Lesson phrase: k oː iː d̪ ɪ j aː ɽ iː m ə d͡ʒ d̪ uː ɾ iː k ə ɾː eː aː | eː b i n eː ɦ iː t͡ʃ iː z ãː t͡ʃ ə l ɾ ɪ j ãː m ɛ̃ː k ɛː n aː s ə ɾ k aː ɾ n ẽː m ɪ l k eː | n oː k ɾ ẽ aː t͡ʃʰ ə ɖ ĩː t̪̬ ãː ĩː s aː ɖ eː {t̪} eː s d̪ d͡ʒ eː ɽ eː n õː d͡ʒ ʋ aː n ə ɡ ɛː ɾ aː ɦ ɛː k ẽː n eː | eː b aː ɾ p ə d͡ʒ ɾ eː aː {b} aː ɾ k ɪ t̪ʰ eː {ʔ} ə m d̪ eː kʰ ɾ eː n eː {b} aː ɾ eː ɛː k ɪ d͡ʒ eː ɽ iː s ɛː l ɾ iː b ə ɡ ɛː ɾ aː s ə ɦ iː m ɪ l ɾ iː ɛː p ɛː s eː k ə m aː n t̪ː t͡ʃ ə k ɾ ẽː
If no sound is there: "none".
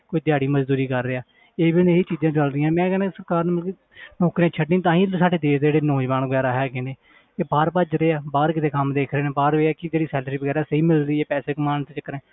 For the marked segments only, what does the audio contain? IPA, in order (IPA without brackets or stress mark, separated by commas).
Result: d̪, b, k, b